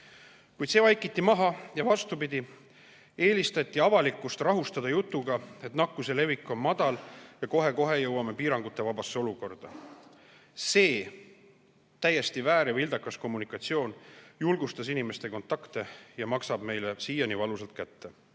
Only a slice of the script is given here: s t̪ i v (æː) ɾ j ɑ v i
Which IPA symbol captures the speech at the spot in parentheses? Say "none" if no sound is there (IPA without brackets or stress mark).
æː